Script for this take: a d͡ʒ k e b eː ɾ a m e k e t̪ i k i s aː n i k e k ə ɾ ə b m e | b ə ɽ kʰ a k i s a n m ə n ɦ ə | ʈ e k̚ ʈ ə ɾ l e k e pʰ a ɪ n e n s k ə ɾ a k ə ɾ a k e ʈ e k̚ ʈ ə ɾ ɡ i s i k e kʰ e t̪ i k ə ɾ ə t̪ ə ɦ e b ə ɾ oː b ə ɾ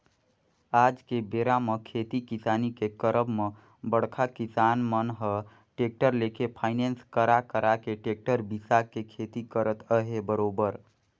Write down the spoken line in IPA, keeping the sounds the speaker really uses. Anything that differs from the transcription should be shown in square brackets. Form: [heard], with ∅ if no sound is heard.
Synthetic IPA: a d͡ʒ k e b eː ɾ a m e [kʰ] e t̪ i k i s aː n i k e k ə ɾ ə b m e | b ə ɽ kʰ a k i s a n m ə n ɦ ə | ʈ e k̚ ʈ ə ɾ l e k e pʰ a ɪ n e n s k ə ɾ a k ə ɾ a k e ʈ e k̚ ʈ ə ɾ [b] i s [a] k e kʰ e t̪ i k ə ɾ ə t̪ ə ɦ e b ə ɾ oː b ə ɾ